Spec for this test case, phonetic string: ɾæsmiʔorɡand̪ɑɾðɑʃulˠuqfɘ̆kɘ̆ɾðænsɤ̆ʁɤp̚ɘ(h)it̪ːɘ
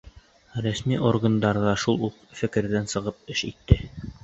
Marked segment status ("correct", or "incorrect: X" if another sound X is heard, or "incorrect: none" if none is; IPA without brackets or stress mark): incorrect: ʃ